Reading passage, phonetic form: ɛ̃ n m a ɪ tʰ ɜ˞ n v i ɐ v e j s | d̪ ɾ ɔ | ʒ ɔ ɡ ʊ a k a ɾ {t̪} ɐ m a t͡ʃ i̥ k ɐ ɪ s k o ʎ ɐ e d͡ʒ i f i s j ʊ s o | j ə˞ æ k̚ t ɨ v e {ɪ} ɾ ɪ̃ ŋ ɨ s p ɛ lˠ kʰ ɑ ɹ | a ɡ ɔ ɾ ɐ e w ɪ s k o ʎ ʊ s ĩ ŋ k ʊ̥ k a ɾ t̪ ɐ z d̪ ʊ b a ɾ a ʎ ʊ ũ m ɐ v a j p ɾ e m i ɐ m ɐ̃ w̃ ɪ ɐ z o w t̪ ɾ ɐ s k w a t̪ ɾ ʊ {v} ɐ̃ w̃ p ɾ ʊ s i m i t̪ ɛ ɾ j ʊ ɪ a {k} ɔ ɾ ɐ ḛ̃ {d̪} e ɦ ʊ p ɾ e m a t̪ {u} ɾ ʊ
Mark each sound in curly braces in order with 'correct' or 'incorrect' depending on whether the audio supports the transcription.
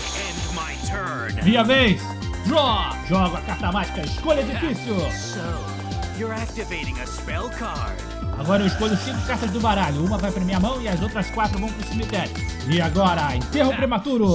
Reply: correct, correct, correct, incorrect: ɡ, incorrect: t̪, correct

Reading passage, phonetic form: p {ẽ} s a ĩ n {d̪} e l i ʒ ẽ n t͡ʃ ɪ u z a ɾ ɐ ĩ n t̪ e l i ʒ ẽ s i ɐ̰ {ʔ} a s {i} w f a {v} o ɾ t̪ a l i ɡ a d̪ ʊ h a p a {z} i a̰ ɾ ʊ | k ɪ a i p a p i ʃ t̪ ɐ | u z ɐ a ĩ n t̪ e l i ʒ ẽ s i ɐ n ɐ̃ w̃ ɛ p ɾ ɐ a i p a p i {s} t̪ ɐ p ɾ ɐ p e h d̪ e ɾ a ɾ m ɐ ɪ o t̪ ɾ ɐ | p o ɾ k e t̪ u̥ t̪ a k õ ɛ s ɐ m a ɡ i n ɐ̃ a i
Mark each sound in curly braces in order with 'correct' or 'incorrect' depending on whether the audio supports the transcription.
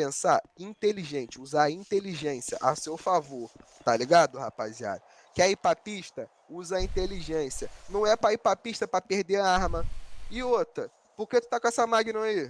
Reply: correct, incorrect: t̪, correct, incorrect: e, correct, correct, incorrect: ʃ

